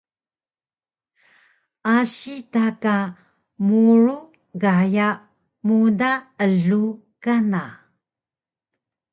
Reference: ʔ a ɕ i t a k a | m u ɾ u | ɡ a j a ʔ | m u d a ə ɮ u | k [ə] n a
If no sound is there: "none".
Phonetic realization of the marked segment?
a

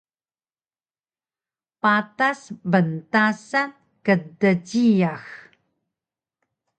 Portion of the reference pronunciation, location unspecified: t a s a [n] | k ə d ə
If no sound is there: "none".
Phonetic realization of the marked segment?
n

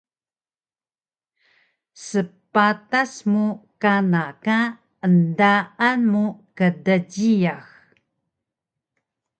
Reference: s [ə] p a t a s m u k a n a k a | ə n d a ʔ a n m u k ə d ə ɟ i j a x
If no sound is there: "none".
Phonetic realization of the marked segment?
ə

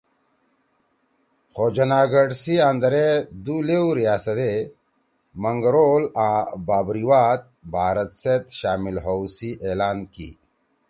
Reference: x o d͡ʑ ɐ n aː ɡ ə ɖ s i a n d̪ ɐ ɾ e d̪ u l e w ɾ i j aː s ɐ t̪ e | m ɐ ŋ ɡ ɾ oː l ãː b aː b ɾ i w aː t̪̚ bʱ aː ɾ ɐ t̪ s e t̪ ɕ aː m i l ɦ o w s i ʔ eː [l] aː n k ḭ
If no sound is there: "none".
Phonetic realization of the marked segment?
l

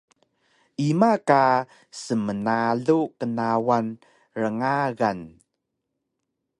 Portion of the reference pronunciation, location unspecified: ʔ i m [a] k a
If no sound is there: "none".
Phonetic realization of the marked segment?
a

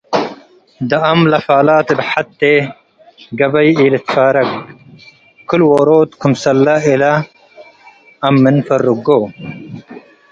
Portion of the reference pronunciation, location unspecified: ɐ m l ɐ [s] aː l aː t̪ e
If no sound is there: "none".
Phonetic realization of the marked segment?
f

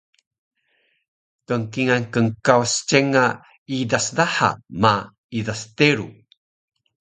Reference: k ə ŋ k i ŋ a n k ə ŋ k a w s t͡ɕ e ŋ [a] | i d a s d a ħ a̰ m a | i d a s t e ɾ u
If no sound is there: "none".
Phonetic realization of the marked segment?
a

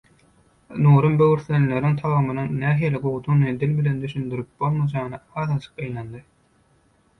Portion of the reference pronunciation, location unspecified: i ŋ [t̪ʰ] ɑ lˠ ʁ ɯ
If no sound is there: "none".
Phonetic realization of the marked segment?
t̪ʰ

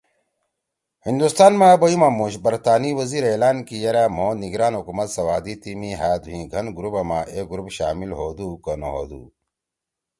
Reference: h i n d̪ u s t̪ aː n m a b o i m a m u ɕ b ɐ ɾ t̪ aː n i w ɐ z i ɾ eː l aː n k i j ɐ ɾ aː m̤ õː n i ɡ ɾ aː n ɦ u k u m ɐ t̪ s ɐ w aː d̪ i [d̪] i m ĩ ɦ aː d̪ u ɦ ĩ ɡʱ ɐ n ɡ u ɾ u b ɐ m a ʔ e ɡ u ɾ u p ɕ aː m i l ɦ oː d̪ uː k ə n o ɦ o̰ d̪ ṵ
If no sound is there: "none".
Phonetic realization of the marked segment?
t̪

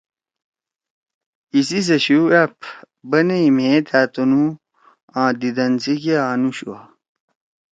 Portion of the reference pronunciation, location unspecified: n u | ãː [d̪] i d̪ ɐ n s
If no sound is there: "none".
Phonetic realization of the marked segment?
d̪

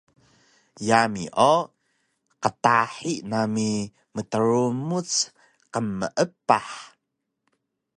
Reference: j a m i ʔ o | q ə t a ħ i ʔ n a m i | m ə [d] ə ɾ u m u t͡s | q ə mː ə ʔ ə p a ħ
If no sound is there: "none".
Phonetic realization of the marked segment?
t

